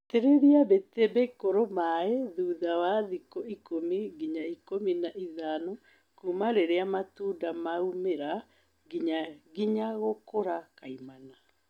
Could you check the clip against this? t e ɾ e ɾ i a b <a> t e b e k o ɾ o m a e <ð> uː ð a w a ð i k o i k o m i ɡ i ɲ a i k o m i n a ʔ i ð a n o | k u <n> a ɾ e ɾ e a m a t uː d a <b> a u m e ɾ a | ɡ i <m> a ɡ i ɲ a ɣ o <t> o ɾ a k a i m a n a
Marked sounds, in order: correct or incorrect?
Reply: incorrect: e, correct, incorrect: m, incorrect: m, incorrect: ɲ, incorrect: k

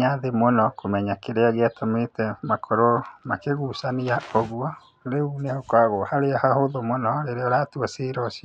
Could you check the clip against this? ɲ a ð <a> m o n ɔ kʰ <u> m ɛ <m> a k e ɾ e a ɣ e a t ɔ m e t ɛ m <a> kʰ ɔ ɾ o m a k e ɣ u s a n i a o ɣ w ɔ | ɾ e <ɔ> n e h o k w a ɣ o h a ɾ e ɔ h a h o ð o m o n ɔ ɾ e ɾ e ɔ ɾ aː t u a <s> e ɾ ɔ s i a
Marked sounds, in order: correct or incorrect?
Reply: incorrect: e, incorrect: o, incorrect: ɲ, correct, incorrect: u, correct

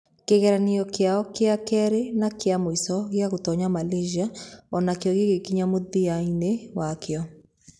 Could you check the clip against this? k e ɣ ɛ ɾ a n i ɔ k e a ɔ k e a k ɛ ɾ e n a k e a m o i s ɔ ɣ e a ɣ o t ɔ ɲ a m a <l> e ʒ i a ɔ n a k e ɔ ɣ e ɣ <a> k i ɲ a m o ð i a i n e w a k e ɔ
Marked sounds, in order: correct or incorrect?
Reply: correct, incorrect: e

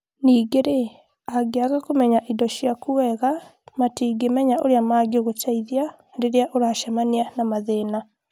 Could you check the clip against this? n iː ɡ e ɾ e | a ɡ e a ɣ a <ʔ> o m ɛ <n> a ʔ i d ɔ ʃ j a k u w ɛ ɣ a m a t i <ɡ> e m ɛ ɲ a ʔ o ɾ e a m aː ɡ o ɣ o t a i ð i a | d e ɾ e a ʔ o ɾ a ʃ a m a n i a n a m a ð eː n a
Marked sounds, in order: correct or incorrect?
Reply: incorrect: k, incorrect: ɲ, correct

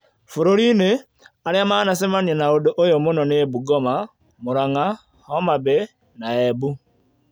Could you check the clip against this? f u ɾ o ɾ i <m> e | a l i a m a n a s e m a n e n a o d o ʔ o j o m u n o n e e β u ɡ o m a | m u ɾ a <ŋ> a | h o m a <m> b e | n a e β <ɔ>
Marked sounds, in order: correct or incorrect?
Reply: incorrect: n, correct, incorrect: none, incorrect: u

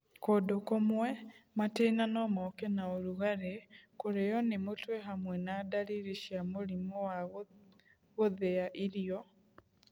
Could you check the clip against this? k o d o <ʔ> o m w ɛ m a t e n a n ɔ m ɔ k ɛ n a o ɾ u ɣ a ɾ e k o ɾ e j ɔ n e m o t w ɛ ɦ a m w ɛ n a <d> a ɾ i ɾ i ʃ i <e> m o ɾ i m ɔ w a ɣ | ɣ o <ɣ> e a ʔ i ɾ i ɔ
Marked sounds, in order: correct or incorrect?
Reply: incorrect: k, correct, incorrect: a, incorrect: ð

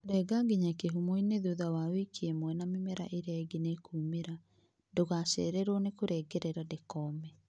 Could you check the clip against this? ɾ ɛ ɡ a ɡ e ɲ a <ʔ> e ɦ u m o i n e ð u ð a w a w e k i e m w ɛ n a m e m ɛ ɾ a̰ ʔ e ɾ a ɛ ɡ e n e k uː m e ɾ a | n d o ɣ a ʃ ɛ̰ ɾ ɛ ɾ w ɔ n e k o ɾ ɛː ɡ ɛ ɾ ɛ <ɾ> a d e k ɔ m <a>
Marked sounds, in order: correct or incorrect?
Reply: incorrect: k, correct, incorrect: ɛ

